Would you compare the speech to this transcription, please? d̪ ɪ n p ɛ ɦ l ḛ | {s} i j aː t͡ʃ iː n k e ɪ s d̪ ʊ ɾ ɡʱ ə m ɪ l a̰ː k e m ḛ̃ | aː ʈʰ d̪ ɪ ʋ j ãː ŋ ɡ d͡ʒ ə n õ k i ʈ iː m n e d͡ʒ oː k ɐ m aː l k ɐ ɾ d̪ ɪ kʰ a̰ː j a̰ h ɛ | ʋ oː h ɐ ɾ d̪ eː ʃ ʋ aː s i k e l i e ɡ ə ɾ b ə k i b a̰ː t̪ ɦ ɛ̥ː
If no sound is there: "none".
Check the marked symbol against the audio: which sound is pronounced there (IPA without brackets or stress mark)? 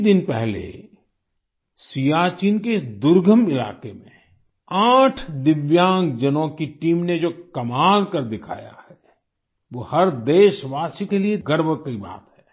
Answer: s